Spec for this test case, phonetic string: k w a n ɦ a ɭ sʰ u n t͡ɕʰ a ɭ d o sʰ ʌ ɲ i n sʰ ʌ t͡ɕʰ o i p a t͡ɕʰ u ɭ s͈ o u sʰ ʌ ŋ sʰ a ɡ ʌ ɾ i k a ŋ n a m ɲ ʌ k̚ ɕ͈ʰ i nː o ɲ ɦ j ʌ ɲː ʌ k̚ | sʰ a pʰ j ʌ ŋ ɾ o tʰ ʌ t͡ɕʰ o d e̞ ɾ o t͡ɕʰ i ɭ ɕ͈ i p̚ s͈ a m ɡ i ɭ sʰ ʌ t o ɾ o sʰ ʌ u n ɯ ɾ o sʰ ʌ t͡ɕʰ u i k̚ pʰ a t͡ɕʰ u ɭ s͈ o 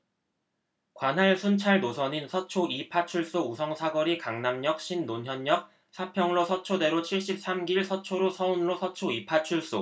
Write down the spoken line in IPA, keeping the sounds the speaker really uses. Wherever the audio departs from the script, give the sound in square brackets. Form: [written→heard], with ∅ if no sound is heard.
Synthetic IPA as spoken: k w a n ɦ a ɭ sʰ u n t͡ɕʰ a ɭ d o sʰ ʌ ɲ i n sʰ ʌ t͡ɕʰ o i [p→pʰ] a t͡ɕʰ u ɭ s͈ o u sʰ ʌ ŋ sʰ a ɡ ʌ ɾ i k a ŋ n a m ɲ ʌ k̚ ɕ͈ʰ i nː o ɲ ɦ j ʌ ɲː ʌ k̚ | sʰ a pʰ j ʌ ŋ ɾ o [tʰ→sʰ] ʌ t͡ɕʰ o d e̞ ɾ o t͡ɕʰ i ɭ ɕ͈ i p̚ s͈ a m ɡ i ɭ sʰ ʌ [t→t͡ɕʰ] o ɾ o sʰ ʌ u n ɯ ɾ o sʰ ʌ t͡ɕʰ [u→o] i [k̚→∅] pʰ a t͡ɕʰ u ɭ s͈ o